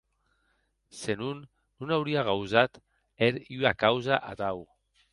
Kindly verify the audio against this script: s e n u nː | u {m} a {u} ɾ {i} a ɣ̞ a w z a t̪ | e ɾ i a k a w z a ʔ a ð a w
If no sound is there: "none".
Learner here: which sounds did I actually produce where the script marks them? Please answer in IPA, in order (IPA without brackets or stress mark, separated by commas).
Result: n, w, i